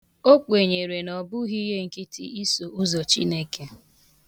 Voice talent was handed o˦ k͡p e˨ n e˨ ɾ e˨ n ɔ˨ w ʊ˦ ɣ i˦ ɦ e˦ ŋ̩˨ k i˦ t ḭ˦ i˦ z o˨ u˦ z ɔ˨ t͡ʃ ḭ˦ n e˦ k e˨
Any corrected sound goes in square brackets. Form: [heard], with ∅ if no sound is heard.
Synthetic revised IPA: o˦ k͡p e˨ [ɲ] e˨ ɾ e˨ n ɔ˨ [b] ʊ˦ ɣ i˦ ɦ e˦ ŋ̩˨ k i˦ t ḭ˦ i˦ [s] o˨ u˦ z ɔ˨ t͡ʃ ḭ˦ n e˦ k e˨